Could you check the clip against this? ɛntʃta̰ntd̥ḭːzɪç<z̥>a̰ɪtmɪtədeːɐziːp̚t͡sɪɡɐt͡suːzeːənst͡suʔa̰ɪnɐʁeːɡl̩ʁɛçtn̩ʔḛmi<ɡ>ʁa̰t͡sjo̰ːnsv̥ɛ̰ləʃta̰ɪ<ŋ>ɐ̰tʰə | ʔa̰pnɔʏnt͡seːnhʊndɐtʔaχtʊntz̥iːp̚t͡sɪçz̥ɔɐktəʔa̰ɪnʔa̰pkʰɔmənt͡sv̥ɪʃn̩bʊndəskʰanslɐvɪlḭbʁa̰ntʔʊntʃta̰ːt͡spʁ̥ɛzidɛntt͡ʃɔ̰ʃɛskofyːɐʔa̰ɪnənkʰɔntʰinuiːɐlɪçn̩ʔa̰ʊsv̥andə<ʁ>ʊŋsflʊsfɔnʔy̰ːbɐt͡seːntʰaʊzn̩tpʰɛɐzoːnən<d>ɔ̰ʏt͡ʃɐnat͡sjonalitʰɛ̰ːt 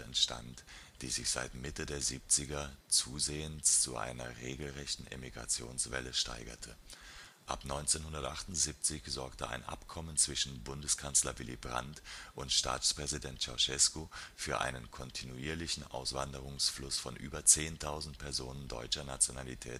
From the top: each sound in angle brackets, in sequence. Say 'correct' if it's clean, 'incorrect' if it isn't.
correct, correct, incorrect, correct, correct

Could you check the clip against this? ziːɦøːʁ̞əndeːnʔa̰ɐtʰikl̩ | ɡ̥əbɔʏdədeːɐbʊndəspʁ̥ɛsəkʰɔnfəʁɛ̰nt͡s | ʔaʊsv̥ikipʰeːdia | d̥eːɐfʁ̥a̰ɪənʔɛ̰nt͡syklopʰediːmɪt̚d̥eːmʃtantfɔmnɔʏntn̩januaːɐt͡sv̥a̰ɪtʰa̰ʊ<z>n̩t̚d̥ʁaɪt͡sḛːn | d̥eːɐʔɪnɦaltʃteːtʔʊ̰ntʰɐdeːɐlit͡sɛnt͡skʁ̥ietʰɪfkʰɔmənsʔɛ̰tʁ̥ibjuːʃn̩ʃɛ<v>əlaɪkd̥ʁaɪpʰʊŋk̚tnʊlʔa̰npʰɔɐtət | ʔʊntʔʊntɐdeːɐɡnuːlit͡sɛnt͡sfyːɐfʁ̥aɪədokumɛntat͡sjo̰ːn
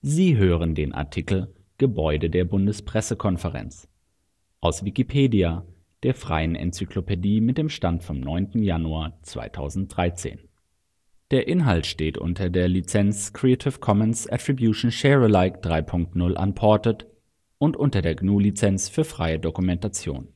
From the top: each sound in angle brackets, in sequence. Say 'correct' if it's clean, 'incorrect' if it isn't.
correct, incorrect

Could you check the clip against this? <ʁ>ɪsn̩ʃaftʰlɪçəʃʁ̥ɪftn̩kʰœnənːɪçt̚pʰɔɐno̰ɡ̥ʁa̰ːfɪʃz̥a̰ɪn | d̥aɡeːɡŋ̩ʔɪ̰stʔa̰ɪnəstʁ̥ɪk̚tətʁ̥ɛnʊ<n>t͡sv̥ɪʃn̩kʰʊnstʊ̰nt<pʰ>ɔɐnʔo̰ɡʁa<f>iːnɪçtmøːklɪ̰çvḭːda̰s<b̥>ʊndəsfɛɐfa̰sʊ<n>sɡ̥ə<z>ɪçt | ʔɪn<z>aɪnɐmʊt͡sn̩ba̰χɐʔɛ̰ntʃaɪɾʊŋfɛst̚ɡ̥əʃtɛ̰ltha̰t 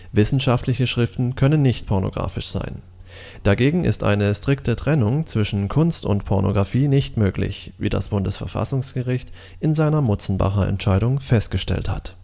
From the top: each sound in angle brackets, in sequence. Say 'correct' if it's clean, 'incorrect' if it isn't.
incorrect, incorrect, correct, correct, correct, incorrect, incorrect, correct

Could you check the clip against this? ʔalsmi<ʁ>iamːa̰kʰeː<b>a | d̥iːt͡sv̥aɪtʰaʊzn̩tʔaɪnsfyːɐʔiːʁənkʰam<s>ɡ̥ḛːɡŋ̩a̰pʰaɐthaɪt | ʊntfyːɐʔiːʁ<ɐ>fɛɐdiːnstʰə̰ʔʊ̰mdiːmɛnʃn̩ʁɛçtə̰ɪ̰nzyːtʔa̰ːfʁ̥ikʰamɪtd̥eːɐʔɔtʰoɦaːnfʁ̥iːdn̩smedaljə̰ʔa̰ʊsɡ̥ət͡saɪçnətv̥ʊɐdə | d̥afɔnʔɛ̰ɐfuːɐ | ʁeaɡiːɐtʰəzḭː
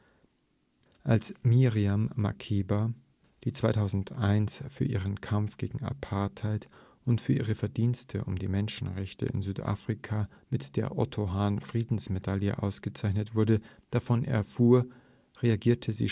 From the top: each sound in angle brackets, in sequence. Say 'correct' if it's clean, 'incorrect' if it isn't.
correct, correct, incorrect, incorrect

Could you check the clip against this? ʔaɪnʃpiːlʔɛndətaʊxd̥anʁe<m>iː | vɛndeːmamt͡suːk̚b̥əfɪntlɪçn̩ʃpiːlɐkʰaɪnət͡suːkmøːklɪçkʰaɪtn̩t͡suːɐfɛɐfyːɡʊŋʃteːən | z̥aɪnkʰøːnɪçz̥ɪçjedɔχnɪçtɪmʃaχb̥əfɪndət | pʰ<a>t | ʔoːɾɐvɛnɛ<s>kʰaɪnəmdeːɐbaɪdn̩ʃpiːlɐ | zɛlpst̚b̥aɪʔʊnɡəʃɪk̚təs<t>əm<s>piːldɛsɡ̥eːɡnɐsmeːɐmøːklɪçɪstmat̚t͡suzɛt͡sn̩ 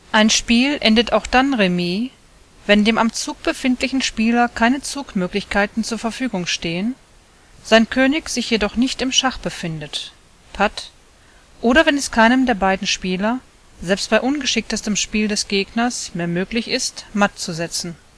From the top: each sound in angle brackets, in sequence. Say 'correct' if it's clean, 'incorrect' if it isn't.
correct, correct, correct, correct, incorrect

